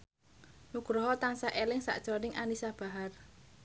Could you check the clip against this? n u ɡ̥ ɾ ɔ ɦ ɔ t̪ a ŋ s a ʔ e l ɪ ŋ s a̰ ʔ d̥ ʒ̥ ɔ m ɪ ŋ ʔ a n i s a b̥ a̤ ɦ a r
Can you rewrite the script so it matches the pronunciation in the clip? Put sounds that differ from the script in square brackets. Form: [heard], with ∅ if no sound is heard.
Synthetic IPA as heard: n u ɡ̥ ɾ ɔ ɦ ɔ t̪ a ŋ s a ʔ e l ɪ ŋ s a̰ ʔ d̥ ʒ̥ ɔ [n] ɪ ŋ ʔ a n i s a b̥ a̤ ɦ a r